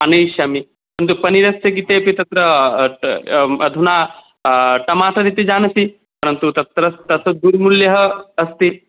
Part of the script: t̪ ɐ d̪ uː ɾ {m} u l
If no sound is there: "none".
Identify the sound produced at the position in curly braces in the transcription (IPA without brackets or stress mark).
m